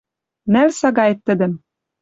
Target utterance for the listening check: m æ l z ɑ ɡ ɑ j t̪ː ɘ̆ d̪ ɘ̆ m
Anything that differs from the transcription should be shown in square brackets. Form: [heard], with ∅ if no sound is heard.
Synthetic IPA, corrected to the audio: [n] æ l [s] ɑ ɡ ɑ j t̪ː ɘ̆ d̪ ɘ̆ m